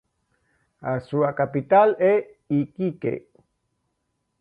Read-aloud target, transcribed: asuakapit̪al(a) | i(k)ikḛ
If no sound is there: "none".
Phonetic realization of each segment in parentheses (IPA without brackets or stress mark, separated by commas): e, k